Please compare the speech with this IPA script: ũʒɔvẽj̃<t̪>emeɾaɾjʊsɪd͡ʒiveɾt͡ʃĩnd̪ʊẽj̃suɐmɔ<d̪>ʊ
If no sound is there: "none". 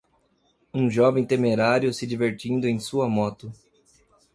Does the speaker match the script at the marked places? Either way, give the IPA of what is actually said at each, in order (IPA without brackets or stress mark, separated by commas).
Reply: t̪, t̪